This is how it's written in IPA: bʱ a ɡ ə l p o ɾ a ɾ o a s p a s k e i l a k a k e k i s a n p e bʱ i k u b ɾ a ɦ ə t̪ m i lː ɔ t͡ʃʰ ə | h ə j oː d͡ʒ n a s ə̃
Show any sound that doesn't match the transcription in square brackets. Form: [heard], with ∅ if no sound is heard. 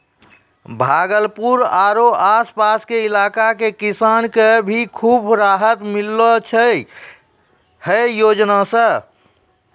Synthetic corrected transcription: bʱ a ɡ ə l p [u] ɾ a ɾ o a s p a s k e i l a k a k e k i s a n [k] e bʱ i [kʰ] u b ɾ a ɦ ə t̪ m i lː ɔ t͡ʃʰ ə | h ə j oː d͡ʒ n a s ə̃